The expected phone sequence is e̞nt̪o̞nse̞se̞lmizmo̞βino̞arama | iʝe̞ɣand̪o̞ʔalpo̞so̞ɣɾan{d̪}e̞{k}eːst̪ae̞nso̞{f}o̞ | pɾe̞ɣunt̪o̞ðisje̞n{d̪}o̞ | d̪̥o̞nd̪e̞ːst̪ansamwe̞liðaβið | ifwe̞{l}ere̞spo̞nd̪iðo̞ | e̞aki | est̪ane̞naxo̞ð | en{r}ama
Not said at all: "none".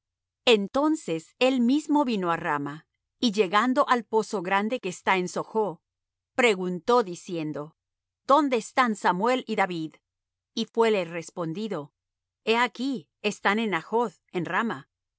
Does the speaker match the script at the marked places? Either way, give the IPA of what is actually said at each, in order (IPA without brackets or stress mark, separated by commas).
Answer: d̪, k, x, d̪, l, r